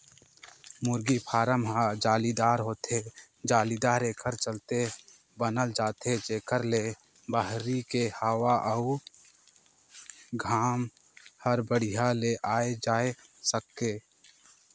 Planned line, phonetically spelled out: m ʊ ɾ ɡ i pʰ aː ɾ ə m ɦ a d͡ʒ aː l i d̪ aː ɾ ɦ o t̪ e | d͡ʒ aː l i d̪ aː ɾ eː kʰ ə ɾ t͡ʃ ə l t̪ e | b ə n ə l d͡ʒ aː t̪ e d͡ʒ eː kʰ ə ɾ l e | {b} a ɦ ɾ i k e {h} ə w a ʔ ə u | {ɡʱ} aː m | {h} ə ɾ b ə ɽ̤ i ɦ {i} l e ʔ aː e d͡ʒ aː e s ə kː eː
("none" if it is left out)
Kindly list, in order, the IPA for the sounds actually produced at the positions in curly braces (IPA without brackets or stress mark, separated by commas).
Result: b, h, ɡʱ, h, a